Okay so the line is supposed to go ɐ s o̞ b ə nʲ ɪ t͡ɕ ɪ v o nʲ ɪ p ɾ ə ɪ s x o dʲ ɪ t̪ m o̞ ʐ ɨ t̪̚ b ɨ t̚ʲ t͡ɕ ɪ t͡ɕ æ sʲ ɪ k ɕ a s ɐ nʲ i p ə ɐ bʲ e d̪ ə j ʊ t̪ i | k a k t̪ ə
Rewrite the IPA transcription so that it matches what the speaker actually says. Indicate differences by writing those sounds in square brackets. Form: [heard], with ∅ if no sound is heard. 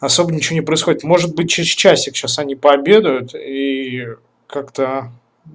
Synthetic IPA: ɐ s o̞ b ə nʲ ɪ t͡ɕ ɪ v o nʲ ɪ p ɾ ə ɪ s x o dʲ ɪ t̪ m o̞ ʐ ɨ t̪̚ b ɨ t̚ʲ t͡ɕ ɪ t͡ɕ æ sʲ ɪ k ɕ a s ɐ nʲ i p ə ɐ bʲ e d̪ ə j ʊ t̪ i | k a k t̪ ə

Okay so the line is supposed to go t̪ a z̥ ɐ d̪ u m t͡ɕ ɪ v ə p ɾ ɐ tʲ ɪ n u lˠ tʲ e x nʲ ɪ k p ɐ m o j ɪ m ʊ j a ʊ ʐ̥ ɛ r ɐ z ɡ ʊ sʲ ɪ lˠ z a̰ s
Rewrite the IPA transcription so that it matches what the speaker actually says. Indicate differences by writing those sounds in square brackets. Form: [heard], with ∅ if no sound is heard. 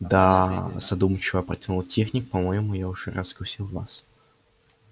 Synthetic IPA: [d̪] a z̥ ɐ d̪ u m t͡ɕ ɪ v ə p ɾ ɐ tʲ ɪ n u lˠ tʲ e x nʲ ɪ k p ɐ m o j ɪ m ʊ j a ʊ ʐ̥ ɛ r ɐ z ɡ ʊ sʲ [i] lˠ [v] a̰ s

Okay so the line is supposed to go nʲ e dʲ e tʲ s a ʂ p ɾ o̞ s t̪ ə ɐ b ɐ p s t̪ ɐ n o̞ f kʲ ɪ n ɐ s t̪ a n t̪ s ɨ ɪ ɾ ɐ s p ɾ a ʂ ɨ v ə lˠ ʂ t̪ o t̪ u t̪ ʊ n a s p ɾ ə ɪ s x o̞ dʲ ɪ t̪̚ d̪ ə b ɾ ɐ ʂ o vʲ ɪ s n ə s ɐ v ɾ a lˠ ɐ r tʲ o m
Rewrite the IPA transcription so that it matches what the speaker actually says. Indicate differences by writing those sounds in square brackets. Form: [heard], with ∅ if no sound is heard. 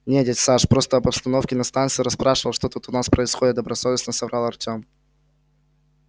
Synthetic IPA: nʲ e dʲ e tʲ s a ʂ p ɾ o̞ s t̪ ə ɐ b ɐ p s t̪ ɐ n o̞ f kʲ ɪ n ɐ s t̪ a n t̪ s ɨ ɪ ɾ ɐ s p ɾ a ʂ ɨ v ə lˠ ʂ t̪ o t̪ u t̪ ʊ n a s p ɾ ə ɪ s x o̞ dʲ ɪ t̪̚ d̪ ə b ɾ ɐ [s] o vʲ ɪ s n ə s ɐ v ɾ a lˠ ɐ r tʲ o m

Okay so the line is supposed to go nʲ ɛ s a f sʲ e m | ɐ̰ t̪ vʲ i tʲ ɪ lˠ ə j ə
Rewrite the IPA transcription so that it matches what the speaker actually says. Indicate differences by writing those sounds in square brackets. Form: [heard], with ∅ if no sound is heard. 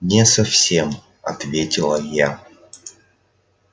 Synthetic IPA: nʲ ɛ s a f sʲ e m | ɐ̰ t̪ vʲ [e] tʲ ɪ lˠ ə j [a]

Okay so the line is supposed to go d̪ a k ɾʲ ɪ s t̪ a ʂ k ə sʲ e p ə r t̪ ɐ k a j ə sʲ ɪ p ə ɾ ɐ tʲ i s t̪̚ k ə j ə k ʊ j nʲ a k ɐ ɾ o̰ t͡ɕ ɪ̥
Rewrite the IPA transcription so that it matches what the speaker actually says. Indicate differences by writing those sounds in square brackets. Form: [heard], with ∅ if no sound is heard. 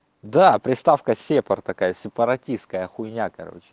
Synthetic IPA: d̪ a [p] ɾʲ ɪ s t̪ a [f] k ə sʲ e p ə r t̪ ɐ k a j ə sʲ ɪ p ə ɾ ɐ tʲ i s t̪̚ k ə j ə [x] ʊ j nʲ a k ɐ ɾ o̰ t͡ɕ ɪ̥

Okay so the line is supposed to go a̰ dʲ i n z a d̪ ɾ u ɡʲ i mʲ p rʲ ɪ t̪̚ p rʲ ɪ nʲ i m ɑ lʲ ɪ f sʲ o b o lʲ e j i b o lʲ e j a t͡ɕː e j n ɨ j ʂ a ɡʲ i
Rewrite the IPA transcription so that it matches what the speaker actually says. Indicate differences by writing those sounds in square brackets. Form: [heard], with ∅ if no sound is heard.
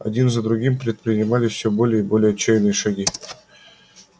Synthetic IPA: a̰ dʲ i n z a d̪ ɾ u ɡʲ i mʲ p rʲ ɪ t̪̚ p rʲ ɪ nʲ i m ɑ lʲ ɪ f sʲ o b o lʲ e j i b o lʲ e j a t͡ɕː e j n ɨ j ʂ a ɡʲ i

